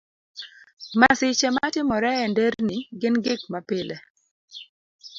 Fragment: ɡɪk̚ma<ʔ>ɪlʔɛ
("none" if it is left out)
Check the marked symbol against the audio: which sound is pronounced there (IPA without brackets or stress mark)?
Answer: p